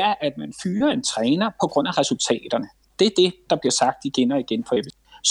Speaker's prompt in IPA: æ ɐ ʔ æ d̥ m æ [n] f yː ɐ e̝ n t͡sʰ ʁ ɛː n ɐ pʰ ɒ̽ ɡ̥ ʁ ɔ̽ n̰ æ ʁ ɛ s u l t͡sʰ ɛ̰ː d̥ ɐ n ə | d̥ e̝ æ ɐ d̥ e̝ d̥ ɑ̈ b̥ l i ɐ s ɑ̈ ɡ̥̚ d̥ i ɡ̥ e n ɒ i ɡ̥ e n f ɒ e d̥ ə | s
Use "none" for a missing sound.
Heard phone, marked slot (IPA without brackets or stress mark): n